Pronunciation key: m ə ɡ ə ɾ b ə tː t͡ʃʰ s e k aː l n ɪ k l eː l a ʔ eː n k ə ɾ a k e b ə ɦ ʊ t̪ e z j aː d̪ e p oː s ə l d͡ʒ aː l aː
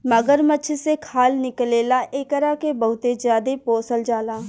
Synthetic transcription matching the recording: m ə ɡ ə ɾ m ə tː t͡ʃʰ s e kʰ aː l n ɪ k l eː l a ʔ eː k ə ɾ a k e b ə ɦ ʊ t̪ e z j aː d̪ e p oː s ə l d͡ʒ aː l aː